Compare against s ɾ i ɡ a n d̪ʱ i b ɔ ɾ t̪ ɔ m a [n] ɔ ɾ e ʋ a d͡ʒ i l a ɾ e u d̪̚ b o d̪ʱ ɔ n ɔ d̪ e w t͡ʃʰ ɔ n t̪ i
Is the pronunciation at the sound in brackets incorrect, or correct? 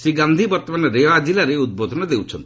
correct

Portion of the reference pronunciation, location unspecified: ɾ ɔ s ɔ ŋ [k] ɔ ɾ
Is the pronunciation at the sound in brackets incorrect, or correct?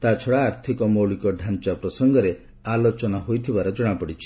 incorrect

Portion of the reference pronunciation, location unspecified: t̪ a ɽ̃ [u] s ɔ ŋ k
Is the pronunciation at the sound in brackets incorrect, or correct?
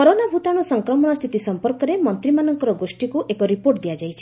incorrect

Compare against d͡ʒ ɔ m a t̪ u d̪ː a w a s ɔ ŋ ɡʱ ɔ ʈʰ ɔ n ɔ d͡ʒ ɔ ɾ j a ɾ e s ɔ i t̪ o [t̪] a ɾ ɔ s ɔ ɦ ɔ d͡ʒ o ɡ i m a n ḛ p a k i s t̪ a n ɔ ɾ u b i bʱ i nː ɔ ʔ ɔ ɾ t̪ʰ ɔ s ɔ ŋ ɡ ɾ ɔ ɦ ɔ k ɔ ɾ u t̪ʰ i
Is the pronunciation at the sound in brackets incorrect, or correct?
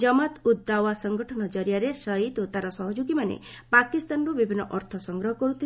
correct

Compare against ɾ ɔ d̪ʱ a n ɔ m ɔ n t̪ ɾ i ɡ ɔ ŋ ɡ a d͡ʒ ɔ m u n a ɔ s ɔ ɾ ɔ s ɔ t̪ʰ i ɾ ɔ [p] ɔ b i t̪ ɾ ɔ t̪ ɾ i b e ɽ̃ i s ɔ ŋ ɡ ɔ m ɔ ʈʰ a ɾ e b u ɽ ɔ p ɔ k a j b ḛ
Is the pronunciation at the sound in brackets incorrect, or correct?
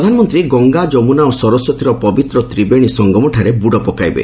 correct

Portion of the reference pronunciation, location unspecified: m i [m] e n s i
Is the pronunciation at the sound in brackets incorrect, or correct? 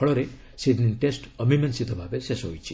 correct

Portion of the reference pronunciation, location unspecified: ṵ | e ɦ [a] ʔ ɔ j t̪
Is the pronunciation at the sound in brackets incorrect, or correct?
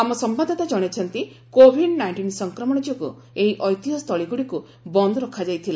incorrect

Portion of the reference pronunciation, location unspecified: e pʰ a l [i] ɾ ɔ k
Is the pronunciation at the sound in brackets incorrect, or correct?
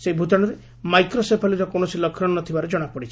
correct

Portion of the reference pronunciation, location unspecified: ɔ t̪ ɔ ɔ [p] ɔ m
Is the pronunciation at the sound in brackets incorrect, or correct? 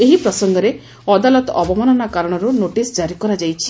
incorrect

